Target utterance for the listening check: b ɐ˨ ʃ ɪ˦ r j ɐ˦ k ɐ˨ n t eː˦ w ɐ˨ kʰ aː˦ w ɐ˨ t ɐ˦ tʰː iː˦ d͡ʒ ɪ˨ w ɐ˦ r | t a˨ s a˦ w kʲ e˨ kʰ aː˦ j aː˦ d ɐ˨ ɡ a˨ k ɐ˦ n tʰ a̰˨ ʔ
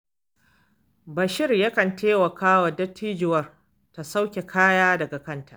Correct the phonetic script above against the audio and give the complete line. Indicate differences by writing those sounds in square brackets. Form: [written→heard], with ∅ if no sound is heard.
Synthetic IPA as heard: b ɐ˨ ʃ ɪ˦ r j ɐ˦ k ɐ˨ n t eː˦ w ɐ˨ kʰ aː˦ w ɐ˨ [t→d] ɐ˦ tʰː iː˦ d͡ʒ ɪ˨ w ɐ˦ r | t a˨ s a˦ w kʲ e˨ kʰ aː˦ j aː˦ d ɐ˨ ɡ a˨ k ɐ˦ n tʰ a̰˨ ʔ